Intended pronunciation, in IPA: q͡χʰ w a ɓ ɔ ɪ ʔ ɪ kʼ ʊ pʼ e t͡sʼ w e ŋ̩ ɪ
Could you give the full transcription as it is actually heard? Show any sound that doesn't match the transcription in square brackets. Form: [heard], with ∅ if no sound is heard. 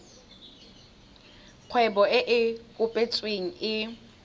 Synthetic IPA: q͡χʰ w [ɛ] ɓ ɔ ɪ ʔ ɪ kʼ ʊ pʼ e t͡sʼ w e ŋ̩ ɪ